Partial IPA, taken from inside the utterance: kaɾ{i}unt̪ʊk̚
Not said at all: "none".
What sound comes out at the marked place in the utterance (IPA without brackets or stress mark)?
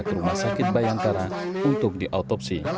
a